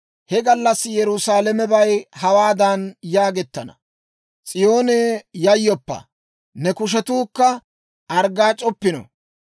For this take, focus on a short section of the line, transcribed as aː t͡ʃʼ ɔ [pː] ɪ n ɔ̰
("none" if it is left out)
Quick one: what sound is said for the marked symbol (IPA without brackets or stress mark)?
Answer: pː